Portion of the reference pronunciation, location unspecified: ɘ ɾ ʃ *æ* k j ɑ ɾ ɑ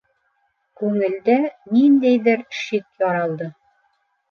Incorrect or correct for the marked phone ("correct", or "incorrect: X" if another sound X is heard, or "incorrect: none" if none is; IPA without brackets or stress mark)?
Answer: incorrect: i